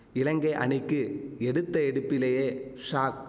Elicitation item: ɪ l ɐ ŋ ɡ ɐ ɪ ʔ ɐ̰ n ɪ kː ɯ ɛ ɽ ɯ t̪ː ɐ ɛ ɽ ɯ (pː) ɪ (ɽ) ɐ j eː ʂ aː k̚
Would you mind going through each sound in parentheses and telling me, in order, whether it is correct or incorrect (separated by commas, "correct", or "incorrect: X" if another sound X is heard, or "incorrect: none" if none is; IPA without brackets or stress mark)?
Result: correct, incorrect: l